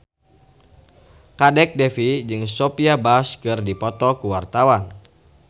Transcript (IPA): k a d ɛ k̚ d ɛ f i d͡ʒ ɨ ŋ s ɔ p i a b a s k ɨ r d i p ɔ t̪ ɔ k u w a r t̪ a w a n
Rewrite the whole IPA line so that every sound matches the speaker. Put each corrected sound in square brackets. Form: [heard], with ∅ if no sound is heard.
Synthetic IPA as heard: k a d ɛ k̚ d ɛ f i d͡ʒ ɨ ŋ s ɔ p i a b a s k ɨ r d i p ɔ t̪ ɔ k u w a r t̪ a w a n